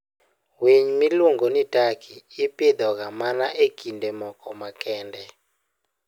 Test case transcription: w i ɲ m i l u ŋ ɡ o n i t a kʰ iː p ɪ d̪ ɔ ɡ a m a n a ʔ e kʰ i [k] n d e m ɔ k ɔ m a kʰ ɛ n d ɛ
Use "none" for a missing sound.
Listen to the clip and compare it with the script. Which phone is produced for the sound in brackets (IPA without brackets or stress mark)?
none